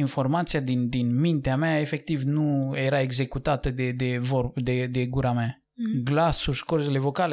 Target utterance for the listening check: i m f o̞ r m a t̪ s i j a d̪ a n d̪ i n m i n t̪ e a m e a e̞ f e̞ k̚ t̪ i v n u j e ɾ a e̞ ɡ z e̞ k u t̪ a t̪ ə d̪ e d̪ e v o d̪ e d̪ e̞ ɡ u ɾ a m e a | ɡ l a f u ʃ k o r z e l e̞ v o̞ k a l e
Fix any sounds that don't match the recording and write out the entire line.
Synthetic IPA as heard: i n f o̞ r m a t̪ s i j a d̪ i n d̪ i n m i n t̪ e a m e a e̞ f e̞ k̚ t̪ i v n u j e ɾ a e̞ ɡ z e̞ k u t̪ a t̪ ə d̪ e d̪ e v o d̪ e d̪ e̞ ɡ u ɾ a m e a | ɡ l a s u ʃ k o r z e l e̞ v o̞ k a l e